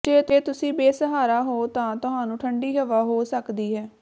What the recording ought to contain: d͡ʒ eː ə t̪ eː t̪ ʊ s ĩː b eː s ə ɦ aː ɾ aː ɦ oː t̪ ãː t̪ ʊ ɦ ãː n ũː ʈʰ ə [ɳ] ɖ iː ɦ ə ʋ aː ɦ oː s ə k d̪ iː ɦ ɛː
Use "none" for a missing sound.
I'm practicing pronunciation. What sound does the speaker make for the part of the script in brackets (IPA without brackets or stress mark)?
ɳ